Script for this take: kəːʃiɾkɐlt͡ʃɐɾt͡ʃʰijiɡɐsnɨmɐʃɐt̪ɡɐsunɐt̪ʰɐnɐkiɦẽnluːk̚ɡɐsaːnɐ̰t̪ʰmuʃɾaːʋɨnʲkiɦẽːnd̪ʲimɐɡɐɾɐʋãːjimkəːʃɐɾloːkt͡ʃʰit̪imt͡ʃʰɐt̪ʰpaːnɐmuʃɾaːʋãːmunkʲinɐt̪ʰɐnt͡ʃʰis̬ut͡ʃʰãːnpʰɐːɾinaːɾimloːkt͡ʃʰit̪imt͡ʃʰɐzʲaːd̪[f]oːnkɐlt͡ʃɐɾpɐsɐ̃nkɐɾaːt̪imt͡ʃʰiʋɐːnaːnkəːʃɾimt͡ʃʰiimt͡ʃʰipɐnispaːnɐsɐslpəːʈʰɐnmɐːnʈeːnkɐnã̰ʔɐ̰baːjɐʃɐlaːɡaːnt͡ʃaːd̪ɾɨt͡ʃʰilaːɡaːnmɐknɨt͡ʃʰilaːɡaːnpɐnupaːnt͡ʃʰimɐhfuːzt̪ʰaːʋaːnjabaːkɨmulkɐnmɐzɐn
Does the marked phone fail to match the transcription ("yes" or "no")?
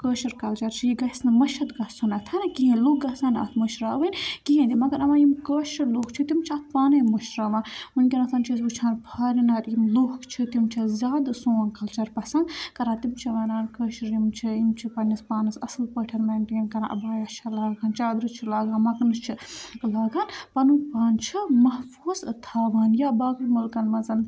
yes